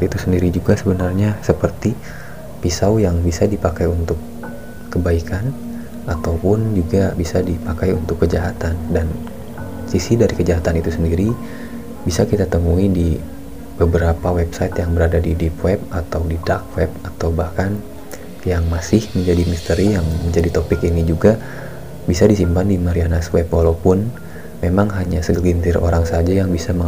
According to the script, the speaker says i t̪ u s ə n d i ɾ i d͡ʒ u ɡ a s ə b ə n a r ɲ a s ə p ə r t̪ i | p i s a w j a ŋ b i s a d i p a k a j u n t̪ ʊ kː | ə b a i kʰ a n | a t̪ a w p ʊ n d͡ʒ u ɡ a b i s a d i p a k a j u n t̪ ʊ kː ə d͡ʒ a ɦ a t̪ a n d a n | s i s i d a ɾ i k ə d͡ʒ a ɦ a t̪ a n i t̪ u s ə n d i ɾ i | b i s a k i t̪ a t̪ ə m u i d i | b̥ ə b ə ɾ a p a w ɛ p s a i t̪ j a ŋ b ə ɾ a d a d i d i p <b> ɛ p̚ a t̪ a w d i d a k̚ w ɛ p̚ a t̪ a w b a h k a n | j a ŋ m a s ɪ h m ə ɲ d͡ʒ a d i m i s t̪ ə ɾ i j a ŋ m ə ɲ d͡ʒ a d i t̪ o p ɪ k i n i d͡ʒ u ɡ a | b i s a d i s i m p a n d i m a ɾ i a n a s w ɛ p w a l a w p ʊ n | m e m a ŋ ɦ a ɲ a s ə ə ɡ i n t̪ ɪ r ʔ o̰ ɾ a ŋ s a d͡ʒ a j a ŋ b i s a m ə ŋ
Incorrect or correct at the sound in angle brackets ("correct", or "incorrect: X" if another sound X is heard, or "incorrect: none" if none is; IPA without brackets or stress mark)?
incorrect: w